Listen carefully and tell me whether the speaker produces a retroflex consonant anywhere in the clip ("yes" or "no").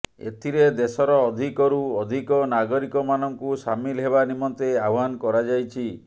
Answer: no